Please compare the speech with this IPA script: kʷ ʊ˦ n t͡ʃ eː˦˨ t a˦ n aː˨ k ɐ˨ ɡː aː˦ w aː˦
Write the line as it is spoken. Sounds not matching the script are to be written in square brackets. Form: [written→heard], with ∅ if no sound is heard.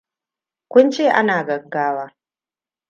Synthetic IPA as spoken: kʷ ʊ˦ n t͡ʃ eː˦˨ [t→ʔ] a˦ n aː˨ [k→ɡ] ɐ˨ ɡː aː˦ w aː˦